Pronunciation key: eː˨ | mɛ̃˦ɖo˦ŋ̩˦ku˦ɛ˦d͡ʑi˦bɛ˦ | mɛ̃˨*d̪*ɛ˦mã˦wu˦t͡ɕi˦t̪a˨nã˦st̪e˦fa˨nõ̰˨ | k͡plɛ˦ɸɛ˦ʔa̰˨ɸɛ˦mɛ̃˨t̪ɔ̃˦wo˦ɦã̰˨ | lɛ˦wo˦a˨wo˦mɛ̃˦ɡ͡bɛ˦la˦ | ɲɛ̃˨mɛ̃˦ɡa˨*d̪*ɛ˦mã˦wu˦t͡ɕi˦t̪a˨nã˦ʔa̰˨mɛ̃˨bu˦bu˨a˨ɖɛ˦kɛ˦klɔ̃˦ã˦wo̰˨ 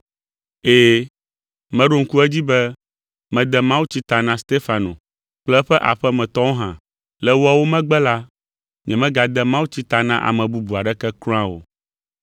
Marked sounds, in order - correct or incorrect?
correct, correct

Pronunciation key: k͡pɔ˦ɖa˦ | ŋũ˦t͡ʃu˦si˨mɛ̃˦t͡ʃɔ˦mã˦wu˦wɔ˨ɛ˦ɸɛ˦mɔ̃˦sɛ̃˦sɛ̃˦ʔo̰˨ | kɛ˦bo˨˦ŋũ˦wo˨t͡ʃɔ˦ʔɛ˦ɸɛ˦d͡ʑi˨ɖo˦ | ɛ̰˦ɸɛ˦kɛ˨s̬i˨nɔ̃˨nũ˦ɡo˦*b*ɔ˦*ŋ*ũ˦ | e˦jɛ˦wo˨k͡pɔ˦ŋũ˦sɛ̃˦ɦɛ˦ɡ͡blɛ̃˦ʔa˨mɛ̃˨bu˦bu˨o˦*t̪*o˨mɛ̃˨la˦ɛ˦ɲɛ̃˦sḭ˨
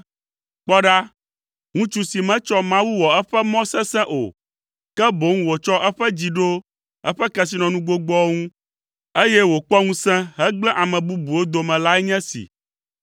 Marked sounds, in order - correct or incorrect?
incorrect, correct, incorrect

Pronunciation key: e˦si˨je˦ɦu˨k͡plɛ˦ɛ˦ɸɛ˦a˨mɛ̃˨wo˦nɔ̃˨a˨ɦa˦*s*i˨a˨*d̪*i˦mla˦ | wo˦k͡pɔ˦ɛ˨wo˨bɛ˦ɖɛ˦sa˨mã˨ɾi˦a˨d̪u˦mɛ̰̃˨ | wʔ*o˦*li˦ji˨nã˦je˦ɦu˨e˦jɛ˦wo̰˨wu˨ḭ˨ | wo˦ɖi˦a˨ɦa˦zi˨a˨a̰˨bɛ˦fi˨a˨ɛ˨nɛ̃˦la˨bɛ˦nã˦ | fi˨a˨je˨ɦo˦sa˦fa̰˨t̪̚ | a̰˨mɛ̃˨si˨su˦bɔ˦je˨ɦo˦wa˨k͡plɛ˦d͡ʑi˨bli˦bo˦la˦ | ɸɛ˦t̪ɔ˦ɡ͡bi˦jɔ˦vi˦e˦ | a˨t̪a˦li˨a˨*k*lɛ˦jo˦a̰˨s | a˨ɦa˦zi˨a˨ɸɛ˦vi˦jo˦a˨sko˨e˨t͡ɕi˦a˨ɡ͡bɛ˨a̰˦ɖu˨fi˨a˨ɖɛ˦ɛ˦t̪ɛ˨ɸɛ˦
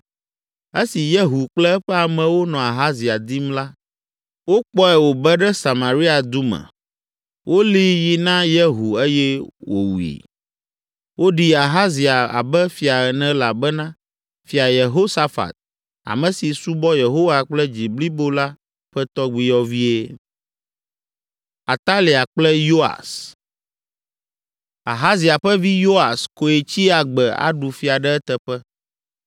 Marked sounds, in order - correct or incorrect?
incorrect, correct, correct, incorrect

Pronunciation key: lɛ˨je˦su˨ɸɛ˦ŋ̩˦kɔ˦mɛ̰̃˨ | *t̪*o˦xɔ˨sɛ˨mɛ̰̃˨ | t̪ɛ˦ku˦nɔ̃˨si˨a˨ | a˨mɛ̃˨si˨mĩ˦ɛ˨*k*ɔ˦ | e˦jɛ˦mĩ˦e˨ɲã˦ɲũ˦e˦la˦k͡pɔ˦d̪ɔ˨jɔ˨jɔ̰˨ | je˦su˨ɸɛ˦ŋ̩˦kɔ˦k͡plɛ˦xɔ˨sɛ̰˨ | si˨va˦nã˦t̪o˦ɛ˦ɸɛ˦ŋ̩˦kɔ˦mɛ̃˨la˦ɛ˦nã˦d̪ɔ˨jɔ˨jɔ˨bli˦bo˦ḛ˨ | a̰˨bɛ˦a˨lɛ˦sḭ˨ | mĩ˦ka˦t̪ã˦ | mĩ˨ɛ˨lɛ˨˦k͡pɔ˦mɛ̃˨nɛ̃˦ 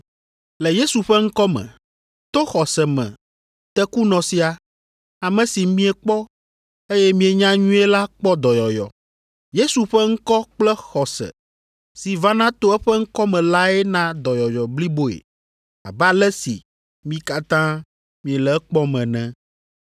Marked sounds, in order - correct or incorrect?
correct, incorrect

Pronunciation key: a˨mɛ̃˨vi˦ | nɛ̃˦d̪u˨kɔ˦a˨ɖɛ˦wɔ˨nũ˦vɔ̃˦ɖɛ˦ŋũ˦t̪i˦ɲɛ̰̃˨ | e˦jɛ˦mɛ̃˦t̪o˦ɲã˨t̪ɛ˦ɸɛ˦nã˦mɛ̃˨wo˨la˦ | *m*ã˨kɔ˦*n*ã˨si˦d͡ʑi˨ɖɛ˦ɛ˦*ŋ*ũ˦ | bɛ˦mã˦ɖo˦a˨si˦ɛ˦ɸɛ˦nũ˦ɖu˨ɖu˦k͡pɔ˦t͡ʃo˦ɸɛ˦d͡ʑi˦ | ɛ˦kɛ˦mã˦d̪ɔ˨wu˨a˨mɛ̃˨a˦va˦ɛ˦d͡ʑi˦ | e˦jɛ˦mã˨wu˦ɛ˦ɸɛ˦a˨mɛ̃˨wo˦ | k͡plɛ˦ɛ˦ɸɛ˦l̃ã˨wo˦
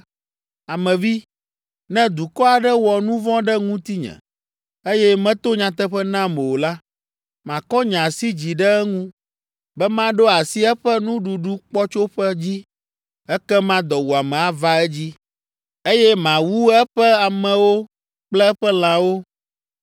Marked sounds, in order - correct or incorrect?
correct, incorrect, correct

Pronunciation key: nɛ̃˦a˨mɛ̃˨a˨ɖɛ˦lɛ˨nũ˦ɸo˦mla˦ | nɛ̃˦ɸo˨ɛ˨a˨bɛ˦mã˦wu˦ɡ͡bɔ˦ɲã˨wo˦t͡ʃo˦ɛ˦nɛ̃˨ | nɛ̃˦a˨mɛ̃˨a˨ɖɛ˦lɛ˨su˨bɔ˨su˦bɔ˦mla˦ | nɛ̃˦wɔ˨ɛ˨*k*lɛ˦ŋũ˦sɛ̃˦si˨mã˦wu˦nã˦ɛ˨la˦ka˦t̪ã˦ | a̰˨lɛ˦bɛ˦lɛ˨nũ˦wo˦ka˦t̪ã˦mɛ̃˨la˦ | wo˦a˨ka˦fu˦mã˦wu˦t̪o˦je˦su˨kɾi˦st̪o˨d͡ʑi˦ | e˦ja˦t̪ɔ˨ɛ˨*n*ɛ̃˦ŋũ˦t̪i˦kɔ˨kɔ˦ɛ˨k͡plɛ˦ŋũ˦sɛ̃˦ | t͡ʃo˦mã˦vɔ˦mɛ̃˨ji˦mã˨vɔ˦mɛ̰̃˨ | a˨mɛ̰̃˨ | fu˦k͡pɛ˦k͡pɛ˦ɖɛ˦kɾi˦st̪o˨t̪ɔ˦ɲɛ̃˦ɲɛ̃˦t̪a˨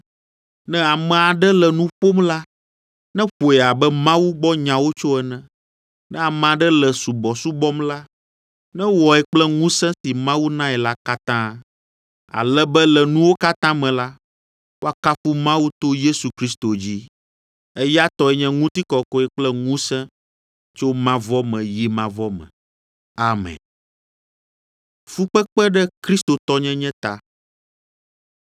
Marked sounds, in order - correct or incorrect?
incorrect, incorrect

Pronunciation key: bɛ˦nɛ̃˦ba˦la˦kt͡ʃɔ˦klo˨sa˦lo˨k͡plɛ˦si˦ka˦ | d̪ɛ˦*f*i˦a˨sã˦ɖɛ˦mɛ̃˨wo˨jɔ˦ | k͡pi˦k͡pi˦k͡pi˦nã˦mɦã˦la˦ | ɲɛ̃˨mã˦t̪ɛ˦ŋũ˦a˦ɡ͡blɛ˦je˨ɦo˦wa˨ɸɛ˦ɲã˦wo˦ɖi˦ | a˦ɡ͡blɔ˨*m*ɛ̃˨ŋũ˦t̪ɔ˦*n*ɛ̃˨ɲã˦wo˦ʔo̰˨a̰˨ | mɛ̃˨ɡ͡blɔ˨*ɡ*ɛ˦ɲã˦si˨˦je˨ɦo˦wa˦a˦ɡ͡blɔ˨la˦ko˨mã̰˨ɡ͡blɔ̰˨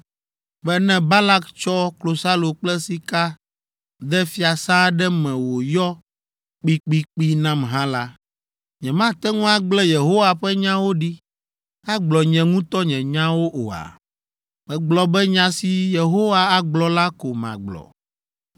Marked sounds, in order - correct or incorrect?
correct, incorrect, incorrect, incorrect

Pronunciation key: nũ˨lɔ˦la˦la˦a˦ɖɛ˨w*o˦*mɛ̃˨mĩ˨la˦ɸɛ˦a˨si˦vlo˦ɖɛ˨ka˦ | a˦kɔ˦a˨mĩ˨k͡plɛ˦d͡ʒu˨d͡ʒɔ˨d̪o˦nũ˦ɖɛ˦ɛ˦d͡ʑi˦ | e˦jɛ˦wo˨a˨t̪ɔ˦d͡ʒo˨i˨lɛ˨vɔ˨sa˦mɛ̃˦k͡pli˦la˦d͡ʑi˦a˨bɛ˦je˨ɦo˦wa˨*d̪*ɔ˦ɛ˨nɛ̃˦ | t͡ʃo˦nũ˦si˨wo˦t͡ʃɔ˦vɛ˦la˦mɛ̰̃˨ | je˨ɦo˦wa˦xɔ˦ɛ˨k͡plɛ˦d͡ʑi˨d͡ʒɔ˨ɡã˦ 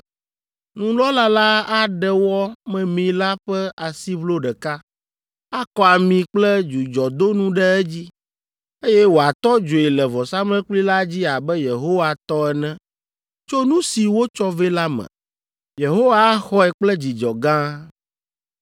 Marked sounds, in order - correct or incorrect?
incorrect, incorrect

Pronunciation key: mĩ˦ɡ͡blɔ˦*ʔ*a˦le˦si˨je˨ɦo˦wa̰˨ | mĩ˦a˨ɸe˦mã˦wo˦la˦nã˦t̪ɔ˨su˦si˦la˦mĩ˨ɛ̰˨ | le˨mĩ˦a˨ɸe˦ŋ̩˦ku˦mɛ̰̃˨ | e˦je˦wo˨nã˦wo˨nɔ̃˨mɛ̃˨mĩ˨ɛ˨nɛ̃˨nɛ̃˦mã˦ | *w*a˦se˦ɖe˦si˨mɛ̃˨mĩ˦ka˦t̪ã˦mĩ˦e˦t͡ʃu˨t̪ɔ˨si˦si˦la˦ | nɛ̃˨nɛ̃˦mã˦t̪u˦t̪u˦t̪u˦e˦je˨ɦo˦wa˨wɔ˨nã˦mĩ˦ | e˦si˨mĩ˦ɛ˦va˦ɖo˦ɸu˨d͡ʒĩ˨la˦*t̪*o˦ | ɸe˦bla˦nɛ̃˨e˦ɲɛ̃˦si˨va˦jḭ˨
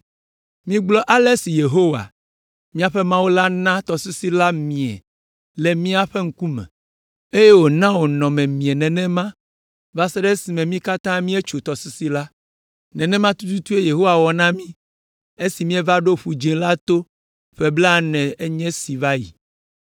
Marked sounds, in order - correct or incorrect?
correct, incorrect, correct

